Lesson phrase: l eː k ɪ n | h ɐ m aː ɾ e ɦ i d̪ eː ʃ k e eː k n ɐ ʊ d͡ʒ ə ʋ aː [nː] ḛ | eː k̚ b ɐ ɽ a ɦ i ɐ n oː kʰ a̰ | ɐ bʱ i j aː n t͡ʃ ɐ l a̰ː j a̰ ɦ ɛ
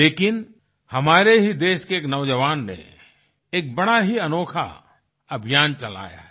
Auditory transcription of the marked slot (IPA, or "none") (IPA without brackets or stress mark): nː